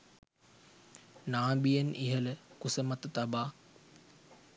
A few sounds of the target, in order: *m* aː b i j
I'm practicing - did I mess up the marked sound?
yes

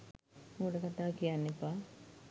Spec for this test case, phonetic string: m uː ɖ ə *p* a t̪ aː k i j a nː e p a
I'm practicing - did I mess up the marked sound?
yes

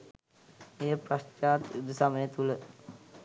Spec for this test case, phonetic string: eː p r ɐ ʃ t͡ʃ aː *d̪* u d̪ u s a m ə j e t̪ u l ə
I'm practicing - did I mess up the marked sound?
yes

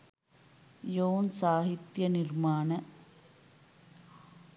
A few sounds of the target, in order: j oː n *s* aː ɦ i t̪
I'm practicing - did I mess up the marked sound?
no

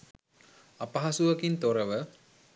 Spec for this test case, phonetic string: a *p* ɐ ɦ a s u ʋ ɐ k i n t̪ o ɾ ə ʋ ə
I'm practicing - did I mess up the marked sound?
no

